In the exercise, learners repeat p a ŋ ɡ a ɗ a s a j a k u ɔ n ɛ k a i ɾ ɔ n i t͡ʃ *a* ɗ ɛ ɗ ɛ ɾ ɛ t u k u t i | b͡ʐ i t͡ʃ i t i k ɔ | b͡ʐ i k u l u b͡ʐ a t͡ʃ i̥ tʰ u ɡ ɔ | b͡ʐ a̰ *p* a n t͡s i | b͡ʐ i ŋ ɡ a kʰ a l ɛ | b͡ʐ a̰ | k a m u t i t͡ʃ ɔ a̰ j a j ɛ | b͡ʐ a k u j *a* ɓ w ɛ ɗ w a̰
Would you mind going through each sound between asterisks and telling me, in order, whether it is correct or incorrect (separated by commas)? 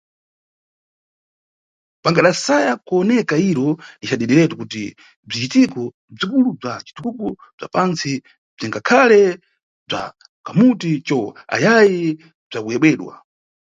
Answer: correct, correct, incorrect